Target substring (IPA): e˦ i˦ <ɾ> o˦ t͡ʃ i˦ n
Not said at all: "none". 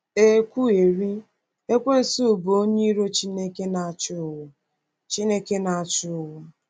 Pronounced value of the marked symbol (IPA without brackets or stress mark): ɾ